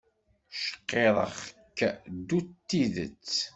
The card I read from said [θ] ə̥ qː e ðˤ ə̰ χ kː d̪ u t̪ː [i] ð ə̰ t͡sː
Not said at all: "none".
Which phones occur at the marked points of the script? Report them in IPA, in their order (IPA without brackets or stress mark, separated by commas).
ʃ, i